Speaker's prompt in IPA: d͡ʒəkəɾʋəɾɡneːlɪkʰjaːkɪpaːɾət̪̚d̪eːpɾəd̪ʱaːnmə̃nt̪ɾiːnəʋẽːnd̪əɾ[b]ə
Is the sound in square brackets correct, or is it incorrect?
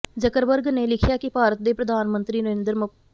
incorrect